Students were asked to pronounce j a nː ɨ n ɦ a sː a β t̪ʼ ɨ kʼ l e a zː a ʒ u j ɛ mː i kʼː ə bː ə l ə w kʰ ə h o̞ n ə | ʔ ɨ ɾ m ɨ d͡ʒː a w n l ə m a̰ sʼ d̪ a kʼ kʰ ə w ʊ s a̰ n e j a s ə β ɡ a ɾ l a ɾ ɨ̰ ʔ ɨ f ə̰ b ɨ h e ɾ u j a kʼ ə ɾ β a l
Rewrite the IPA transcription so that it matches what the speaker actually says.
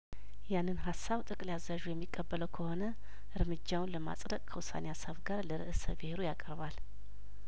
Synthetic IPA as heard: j a nː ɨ n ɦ a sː a β t̪ʼ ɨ kʼ l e a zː a ʒ u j ɛ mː i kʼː ə bː ə l ə w kʰ ə h o̞ n ə | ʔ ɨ ɾ m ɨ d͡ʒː a w n l ə m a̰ sʼ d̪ ə kʼ kʰ ə w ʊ s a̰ n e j a s ə β ɡ a ɾ l ə ɾ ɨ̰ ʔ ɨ s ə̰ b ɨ h e ɾ u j a kʼ ə ɾ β a l